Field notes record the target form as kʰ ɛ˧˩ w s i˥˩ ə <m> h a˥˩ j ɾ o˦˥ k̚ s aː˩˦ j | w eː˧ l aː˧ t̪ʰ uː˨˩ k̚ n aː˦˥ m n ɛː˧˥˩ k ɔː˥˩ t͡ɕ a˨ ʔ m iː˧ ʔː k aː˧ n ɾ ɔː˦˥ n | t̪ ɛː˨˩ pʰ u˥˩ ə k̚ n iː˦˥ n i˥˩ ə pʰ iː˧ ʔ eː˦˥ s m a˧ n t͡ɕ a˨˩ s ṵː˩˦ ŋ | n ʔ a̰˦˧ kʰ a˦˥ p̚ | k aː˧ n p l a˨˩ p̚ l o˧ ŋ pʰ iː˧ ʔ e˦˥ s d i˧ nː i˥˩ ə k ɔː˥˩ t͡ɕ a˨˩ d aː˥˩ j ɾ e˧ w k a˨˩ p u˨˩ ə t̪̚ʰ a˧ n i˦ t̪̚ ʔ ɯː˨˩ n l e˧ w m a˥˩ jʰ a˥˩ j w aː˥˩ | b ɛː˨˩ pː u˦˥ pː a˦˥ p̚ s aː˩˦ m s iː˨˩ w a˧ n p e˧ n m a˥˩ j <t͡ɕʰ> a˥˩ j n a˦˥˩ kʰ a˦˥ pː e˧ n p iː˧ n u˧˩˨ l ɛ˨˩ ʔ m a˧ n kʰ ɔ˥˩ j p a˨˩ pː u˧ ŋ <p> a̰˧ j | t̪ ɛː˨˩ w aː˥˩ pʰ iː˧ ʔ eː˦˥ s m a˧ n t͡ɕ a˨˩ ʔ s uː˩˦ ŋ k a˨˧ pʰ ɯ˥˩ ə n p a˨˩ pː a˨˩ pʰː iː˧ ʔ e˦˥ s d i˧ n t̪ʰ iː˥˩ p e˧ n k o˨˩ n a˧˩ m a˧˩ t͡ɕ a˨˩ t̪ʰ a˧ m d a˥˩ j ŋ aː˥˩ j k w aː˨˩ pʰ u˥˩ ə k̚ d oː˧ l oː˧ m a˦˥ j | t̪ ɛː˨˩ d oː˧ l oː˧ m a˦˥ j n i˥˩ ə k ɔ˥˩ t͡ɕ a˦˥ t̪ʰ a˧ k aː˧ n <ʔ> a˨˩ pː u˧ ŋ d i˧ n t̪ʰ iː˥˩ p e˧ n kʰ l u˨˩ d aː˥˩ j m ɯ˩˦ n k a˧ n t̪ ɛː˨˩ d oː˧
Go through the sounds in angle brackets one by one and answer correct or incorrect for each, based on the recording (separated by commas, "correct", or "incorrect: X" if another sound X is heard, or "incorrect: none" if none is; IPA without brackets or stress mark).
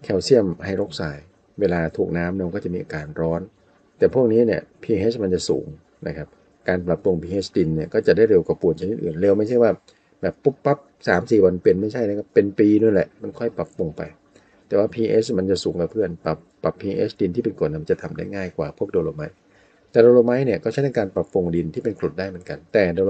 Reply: correct, correct, correct, incorrect: p